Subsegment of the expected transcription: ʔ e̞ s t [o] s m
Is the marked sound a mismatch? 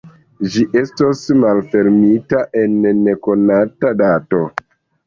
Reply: no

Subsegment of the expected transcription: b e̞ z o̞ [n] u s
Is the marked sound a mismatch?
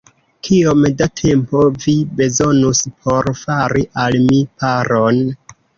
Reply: no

